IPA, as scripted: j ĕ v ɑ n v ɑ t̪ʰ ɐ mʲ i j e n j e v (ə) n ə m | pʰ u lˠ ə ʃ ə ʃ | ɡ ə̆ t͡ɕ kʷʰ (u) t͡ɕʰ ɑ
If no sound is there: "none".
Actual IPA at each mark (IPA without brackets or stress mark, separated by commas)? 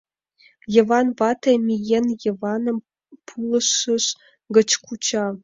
ɑ, u